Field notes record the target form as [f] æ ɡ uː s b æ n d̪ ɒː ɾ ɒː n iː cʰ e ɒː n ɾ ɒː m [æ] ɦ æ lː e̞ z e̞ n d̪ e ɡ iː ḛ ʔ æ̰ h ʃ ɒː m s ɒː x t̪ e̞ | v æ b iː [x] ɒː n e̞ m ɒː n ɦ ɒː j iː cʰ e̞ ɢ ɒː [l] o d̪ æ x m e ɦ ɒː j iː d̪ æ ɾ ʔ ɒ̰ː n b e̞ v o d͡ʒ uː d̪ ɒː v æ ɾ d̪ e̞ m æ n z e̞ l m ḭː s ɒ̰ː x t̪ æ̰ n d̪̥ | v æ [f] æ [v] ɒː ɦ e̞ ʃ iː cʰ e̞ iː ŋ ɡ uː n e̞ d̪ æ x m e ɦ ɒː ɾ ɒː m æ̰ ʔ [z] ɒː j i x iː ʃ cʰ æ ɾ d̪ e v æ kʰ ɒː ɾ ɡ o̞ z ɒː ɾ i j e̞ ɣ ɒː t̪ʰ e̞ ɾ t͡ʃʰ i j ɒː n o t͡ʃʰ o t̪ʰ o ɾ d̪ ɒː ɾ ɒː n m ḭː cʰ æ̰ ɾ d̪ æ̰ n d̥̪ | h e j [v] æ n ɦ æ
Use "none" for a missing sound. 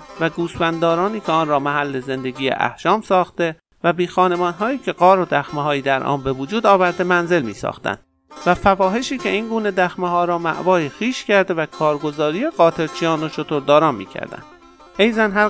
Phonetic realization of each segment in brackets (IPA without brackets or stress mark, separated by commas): v, æ, x, ɾ, f, v, v, z